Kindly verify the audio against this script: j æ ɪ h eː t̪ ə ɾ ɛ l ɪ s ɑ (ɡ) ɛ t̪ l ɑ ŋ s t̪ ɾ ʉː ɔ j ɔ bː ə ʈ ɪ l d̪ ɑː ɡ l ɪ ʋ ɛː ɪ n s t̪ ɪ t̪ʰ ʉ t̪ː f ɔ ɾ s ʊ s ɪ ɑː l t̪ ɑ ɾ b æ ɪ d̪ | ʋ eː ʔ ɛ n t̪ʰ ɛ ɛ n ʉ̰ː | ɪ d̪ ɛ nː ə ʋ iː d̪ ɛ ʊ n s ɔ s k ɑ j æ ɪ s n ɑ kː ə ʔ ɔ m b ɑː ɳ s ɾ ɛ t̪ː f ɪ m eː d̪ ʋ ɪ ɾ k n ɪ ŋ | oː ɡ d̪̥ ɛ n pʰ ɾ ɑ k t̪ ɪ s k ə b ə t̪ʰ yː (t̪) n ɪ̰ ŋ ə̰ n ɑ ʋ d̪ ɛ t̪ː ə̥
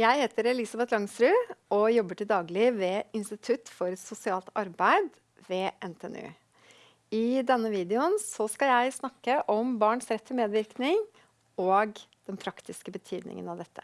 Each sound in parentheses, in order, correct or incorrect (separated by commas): incorrect, incorrect